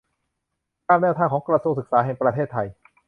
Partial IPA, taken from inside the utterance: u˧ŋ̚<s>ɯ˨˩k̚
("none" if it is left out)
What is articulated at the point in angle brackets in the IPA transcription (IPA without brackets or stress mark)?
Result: s